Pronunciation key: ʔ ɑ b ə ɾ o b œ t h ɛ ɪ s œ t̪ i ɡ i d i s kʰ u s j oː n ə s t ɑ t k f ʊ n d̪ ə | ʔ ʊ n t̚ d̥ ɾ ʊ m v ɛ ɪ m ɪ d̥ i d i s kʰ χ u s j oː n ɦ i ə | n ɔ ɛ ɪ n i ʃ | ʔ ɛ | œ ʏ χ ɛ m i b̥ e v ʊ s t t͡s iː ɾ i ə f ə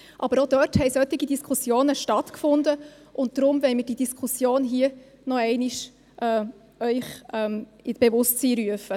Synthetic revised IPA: ʔ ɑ b ə ɾ o d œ t h ɛ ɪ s œ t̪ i ɡ i d i s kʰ u s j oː n ə ʃ t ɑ t k f ʊ n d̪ ə | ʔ ʊ n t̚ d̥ ɾ ʊ m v ɛ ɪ m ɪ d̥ i d i s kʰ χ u s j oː n ɦ i ə | n ɔ ɛ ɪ n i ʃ | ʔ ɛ | œ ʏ χ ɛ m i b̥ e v ʊ s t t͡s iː ɾ y ə f ə